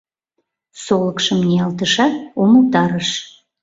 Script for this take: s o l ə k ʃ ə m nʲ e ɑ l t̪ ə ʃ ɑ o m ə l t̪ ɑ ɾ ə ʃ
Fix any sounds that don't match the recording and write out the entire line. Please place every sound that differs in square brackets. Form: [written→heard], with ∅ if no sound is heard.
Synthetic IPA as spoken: s o l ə k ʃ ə m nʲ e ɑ l t̪ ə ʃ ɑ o m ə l t̪ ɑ ɾ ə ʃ